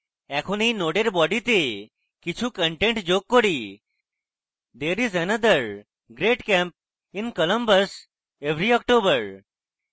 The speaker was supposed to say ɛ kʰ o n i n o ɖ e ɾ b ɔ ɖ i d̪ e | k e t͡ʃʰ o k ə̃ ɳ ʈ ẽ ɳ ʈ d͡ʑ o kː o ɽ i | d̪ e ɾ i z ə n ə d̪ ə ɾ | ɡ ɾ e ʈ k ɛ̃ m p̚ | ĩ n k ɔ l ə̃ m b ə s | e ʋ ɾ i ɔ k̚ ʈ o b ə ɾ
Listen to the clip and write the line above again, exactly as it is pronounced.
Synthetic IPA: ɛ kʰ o n i n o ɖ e ɾ b ɔ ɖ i t̪ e | k i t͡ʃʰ u k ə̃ ɳ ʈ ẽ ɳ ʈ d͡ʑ o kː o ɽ i | d̪ e ɾ i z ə n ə d̪ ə ɾ | ɡ ɾ e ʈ k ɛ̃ m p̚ | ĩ n k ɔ l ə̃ m b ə s | e ʋ ɾ i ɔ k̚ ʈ o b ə ɾ